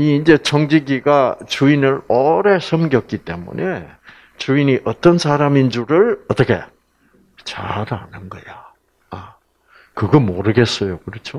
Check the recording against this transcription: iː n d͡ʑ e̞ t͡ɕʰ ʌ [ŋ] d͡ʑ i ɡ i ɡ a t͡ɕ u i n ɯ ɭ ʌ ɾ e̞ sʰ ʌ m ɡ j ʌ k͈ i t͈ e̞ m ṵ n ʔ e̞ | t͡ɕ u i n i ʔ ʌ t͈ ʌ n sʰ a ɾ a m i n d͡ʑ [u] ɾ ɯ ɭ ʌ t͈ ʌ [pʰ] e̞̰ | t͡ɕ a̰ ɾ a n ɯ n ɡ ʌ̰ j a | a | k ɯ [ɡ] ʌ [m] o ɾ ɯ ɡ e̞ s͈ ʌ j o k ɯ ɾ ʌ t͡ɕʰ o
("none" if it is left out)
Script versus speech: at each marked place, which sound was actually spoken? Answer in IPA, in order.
ŋ, u, kʰ, ɡ, m

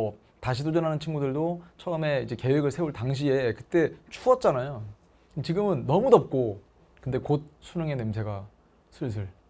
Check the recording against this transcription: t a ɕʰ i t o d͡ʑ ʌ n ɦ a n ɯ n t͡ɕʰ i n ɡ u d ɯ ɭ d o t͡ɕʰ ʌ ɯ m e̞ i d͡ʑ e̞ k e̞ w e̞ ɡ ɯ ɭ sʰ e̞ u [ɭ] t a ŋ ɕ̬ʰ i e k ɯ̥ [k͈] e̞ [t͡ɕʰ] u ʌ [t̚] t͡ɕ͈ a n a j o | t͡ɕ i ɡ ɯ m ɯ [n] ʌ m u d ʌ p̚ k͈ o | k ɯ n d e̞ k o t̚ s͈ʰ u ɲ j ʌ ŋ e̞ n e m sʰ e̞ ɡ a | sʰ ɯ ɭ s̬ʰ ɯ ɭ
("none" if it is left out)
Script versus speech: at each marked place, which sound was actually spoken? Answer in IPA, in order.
ɭ, t͈, t͡ɕʰ, t̚, nː

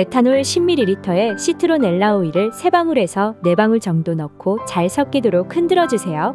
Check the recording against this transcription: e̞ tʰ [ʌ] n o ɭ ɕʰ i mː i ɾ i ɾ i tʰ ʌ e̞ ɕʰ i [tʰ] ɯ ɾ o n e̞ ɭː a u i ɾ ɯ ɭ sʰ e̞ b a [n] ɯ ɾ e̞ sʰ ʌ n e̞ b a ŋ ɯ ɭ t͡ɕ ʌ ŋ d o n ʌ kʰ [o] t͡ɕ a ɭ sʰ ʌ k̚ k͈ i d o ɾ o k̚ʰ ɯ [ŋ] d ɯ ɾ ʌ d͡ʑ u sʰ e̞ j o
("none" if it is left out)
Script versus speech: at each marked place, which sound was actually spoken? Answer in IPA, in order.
a, tʰ, ŋ, o, n

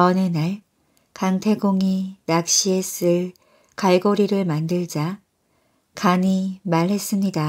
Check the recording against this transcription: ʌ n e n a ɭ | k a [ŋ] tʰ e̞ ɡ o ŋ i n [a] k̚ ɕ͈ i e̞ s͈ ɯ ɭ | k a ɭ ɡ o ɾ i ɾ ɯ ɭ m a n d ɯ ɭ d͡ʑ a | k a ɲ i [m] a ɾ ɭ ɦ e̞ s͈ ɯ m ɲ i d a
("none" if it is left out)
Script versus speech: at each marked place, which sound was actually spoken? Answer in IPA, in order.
ŋ, a, m

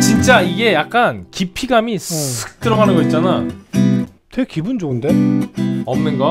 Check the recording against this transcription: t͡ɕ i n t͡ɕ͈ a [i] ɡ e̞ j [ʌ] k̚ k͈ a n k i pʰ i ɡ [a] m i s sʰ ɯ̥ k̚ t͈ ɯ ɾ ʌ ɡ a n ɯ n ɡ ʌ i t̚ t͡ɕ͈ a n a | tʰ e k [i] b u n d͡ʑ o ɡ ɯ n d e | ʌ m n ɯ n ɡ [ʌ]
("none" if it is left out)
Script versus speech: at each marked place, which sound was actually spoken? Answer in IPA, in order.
i, a, a, i, ʌ

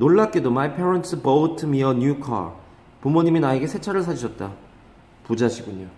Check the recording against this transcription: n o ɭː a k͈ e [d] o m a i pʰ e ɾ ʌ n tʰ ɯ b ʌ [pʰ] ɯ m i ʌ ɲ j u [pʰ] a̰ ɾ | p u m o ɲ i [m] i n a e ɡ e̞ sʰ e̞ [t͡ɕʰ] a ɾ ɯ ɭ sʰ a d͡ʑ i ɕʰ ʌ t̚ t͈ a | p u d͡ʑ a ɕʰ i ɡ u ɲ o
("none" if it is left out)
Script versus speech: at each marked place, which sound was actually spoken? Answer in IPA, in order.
d, tʰ, kʰ, m, t͡ɕʰ

